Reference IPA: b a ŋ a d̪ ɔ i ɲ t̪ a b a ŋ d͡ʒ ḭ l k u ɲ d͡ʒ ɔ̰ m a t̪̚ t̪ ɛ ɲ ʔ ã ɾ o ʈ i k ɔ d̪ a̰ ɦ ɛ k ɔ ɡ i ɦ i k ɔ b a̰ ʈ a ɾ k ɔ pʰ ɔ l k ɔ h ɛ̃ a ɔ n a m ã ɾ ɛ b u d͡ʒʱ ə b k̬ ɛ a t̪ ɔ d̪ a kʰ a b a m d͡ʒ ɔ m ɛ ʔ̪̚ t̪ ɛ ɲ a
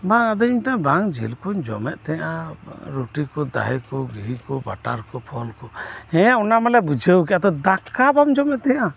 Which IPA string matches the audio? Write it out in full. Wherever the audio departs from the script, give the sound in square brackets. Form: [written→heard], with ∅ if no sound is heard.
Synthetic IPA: b a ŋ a d̪ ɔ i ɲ t̪ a b a ŋ d͡ʒ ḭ l k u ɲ d͡ʒ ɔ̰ m [a→ɛ] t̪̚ t̪ ɛ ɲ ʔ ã ɾ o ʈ i k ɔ d̪ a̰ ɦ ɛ k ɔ ɡ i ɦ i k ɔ b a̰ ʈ a ɾ k ɔ pʰ ɔ l k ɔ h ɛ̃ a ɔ n a m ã [ɾ→l] ɛ b u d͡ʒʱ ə [b→w] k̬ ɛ a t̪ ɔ d̪ a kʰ a b a m d͡ʒ ɔ m ɛ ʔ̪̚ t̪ ɛ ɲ a